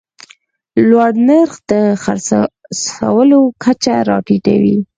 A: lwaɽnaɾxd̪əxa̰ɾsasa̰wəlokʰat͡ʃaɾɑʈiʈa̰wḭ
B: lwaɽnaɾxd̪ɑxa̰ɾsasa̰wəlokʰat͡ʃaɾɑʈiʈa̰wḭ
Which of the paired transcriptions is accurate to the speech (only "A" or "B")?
A